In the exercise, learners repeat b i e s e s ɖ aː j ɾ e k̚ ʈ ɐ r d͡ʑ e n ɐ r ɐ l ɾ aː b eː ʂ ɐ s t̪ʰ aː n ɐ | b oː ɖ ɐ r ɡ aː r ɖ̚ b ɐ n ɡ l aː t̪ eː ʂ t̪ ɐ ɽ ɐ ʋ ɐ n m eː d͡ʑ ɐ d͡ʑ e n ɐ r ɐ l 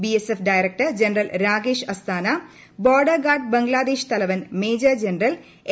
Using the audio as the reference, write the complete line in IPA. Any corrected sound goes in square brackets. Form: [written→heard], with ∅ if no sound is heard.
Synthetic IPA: b i e s e [s→f] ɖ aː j ɾ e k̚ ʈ ɐ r d͡ʑ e n ɐ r ɐ l ɾ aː [b→ɡ] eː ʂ ɐ s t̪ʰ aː n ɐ | b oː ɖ ɐ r ɡ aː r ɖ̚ b ɐ [n→ŋ] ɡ l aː [t̪→d̪] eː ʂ t̪ ɐ [ɽ→l] ɐ ʋ ɐ n m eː d͡ʑ ɐ d͡ʑ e n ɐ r ɐ l